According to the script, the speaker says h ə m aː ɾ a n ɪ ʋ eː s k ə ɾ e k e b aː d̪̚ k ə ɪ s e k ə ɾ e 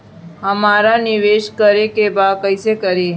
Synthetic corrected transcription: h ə m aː ɾ a n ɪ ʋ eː ʃ k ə ɾ e k e b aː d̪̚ k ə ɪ s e k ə ɾ e